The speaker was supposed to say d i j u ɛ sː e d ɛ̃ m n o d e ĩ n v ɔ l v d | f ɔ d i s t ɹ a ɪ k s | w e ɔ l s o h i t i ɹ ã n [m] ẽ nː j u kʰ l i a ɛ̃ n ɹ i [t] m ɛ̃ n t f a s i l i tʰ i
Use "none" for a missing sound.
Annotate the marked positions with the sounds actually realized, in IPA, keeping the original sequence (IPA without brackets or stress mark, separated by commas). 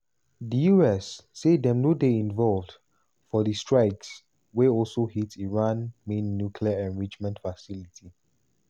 m, t͡ʃ